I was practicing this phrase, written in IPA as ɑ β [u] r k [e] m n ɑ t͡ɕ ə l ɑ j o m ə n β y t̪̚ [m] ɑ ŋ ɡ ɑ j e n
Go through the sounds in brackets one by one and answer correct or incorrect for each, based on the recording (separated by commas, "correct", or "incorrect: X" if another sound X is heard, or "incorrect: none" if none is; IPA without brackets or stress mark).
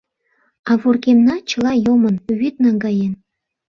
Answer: correct, correct, incorrect: n